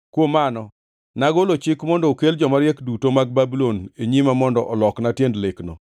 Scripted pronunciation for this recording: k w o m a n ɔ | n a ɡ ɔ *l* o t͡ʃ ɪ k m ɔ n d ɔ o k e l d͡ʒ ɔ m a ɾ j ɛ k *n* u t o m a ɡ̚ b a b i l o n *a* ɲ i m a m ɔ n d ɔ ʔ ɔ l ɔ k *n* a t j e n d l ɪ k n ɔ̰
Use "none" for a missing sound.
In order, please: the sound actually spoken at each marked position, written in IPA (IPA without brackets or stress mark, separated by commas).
l, d, e, n